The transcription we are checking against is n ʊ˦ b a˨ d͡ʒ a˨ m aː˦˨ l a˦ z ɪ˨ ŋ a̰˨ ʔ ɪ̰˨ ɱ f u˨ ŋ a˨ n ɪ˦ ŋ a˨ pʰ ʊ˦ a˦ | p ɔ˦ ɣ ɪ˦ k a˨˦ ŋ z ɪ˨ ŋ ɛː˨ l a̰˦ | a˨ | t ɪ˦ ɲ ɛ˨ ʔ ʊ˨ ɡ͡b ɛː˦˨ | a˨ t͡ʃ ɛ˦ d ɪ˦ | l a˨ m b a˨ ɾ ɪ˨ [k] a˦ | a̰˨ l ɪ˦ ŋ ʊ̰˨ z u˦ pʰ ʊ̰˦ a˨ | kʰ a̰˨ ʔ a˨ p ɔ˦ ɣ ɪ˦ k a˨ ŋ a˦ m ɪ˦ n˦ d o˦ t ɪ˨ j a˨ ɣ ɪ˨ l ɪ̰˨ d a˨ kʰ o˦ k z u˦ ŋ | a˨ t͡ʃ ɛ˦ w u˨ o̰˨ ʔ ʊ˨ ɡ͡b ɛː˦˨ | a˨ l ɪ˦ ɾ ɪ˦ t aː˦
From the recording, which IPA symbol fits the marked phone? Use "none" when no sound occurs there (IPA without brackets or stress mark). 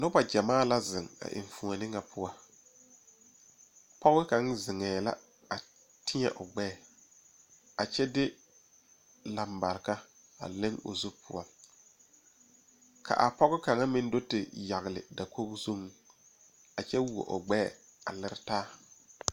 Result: k